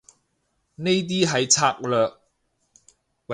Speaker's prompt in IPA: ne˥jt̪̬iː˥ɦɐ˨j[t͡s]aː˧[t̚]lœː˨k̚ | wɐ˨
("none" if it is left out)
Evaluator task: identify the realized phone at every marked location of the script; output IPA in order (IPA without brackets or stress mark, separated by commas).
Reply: t͡sʰ, k̚